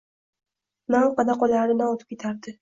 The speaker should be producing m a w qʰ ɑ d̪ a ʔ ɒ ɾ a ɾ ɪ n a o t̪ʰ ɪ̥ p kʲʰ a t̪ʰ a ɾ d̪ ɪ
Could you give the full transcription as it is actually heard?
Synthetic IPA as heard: n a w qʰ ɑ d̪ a q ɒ l a ɾ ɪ n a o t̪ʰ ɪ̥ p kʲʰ e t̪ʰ a ɾ d̪ ɪ